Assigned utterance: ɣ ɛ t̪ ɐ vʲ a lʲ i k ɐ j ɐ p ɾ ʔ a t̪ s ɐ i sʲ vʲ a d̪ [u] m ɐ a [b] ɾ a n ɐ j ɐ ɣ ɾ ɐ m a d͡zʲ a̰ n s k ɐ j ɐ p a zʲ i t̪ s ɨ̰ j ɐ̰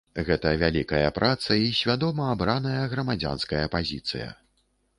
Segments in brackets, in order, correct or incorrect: incorrect, correct

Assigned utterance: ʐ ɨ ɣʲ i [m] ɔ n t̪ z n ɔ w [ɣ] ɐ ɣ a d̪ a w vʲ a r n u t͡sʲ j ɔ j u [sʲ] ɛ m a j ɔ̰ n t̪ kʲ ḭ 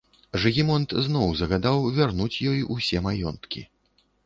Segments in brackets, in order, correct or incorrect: correct, incorrect, correct

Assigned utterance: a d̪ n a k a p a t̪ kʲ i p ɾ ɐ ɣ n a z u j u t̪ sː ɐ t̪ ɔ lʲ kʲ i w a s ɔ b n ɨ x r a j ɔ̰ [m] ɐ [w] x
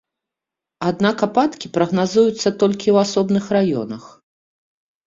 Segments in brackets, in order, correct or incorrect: incorrect, incorrect

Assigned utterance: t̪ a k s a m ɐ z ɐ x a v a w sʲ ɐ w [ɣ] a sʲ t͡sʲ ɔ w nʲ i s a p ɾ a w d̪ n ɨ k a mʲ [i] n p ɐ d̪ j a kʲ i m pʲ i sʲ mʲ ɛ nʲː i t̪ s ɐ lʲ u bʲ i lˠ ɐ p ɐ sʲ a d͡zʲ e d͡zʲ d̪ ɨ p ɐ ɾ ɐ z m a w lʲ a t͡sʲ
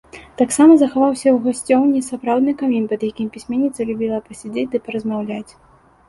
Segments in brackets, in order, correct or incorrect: correct, correct

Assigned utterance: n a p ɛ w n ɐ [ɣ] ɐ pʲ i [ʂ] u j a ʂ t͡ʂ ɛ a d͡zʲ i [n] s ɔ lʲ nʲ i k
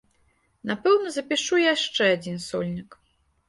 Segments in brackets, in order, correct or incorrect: incorrect, correct, correct

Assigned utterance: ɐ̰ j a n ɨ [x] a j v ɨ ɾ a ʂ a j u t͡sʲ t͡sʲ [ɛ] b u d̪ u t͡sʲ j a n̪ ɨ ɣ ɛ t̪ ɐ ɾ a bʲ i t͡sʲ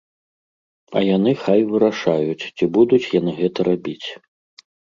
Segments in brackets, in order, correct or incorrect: correct, incorrect

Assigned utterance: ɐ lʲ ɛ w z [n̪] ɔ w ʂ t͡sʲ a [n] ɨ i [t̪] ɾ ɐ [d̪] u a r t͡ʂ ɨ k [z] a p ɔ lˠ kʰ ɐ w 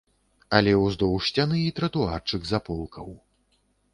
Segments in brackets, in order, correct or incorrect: incorrect, correct, correct, incorrect, correct

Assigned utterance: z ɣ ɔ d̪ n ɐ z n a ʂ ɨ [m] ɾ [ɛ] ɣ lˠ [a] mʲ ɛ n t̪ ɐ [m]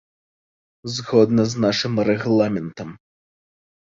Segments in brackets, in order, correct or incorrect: correct, correct, correct, correct

